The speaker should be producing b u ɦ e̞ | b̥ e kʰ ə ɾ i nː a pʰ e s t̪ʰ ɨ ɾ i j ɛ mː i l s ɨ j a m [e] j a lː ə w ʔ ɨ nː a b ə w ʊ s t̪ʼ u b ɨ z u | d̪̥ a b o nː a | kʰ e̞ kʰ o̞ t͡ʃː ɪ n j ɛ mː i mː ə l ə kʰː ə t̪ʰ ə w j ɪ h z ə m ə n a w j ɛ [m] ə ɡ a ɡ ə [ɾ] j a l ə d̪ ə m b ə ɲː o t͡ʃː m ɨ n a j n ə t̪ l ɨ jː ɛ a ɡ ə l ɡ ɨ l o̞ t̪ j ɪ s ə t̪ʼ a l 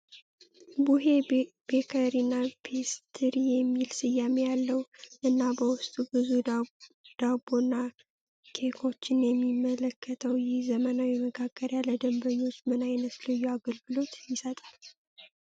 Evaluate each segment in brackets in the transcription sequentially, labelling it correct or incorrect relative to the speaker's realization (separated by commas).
correct, correct, correct